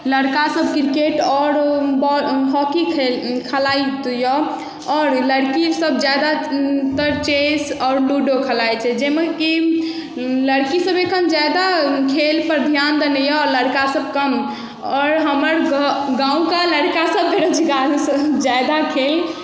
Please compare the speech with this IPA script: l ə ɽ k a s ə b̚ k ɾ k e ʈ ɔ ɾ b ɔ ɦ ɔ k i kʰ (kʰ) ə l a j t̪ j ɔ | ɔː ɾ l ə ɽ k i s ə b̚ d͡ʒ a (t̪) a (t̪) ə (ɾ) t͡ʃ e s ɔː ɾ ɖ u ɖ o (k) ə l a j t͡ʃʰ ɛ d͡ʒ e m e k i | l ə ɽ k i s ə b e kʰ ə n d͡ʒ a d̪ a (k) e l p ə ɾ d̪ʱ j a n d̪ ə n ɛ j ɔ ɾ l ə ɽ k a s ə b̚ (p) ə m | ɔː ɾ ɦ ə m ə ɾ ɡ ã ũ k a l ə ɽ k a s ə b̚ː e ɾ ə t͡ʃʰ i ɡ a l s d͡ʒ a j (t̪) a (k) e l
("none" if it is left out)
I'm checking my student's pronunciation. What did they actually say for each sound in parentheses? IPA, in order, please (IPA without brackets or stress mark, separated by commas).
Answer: kʰ, d̪, t̪, ɾ, kʰ, kʰ, k, d̪, kʰ